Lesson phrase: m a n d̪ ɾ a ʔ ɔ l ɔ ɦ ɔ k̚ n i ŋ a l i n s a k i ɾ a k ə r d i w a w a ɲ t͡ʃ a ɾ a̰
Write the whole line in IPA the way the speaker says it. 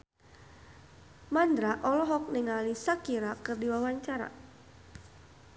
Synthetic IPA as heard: m a n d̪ ɾ a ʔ ɔ l ɔ ɦ ɔ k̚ n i ŋ a l i s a k i ɾ a k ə r d i w a w a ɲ t͡ʃ a ɾ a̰